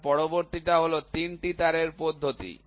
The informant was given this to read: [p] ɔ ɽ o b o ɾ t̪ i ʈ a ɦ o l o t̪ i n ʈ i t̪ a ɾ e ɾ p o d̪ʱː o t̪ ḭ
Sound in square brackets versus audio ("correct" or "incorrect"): correct